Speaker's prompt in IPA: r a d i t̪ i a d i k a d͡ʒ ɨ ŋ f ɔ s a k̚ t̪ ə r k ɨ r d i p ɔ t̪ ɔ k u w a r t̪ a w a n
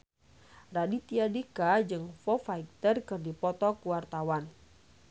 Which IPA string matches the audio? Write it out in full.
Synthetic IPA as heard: r a d i t̪ i a d i k a d͡ʒ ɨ ŋ f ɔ f a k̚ t̪ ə r k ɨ r d i p ɔ t̪ ɔ k u w a r t̪ a w a n